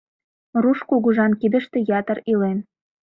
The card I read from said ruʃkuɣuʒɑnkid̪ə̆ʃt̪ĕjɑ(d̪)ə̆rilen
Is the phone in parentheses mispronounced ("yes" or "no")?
yes